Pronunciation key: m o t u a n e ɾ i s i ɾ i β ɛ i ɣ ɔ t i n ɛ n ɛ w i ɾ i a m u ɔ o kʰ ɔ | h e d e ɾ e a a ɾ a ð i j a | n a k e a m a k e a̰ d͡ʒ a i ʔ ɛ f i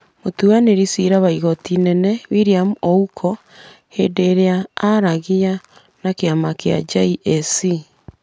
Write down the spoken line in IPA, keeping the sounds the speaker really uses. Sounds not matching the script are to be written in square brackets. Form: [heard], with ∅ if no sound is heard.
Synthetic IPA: m o t u a n e ɾ i s i ɾ [a] β [a] i ɣ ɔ t i n ɛ n ɛ w i ɾ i a m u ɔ [u] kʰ ɔ | h e d e ɾ e a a ɾ a [ɣ] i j a | n a k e a m a k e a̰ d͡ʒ a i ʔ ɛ [s] i